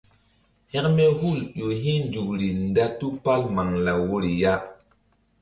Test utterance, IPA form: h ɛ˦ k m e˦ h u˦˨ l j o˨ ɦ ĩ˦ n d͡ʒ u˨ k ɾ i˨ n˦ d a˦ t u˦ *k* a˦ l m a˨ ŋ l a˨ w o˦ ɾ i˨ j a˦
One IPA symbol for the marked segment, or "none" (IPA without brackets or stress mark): p